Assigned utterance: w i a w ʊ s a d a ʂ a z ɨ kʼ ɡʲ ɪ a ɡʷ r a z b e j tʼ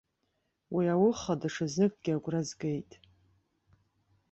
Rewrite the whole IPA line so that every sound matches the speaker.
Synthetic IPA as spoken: w i a w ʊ χ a d a ʂ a z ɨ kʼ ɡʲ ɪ a ɡʷ r a z ɡ e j tʼ